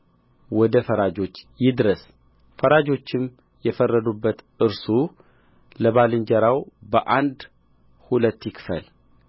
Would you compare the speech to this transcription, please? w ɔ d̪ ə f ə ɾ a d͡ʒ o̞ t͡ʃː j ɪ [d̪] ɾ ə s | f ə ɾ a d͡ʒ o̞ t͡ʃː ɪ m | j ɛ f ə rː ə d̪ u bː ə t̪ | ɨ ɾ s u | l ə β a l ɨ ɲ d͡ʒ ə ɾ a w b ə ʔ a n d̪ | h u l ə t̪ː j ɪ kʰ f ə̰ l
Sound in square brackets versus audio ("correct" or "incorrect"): correct